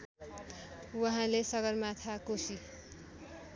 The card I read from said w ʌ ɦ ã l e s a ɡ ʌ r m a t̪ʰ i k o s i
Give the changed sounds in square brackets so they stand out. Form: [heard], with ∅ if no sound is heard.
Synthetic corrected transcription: w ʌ ɦ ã l e s [ʌ] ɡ ʌ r m a t̪ʰ [a] k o s i